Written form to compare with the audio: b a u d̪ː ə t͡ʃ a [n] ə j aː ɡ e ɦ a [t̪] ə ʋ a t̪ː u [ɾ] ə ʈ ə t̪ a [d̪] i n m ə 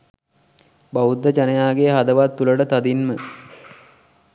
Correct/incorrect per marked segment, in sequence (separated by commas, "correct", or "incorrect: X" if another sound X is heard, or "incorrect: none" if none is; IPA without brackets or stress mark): correct, incorrect: d̪, incorrect: l, correct